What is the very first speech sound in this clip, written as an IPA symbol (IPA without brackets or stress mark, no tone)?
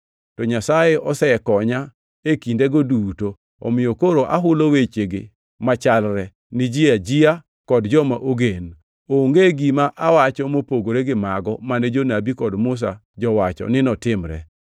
t